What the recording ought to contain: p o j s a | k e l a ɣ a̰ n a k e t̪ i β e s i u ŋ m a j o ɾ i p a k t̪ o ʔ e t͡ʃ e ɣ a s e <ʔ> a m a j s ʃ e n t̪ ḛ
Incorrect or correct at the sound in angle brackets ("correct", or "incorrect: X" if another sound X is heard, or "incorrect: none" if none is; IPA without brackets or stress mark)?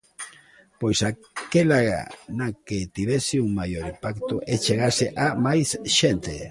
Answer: correct